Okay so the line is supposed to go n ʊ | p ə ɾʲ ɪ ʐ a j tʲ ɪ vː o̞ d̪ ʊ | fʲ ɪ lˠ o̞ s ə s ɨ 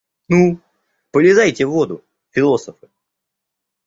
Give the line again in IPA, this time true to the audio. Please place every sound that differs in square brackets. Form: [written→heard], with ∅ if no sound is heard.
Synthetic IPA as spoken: n [ʊ→u] | p ə [ɾʲ→lʲ] ɪ [ʐ→z] a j tʲ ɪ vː o̞ d̪ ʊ | fʲ ɪ lˠ o̞ s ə [s→f] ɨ